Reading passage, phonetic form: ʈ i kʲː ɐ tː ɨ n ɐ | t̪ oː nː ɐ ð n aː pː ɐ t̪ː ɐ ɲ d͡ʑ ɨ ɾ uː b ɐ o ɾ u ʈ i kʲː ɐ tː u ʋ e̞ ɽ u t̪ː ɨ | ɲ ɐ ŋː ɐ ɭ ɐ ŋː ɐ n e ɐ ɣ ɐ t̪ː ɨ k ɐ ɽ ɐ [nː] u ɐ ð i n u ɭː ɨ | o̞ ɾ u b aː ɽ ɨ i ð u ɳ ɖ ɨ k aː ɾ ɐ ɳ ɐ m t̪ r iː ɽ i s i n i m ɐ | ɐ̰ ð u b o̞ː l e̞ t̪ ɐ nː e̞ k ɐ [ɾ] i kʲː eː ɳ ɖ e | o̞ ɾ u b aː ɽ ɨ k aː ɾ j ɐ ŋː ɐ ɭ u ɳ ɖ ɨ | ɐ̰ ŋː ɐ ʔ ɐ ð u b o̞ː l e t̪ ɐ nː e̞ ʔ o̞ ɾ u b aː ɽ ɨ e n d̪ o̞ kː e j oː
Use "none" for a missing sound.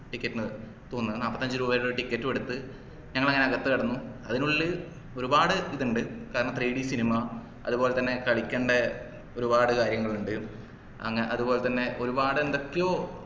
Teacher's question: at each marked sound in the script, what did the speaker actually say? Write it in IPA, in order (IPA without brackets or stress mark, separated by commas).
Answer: nː, ɭ